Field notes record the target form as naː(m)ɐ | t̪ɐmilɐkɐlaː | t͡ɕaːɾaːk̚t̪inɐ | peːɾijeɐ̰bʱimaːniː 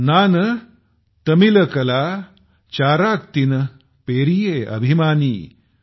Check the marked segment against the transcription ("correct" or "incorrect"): incorrect